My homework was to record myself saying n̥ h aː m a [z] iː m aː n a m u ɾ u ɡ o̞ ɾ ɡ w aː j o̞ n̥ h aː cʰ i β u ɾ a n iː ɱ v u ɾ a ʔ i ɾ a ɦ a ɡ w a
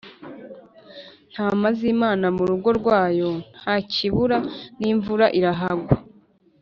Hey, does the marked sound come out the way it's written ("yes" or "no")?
yes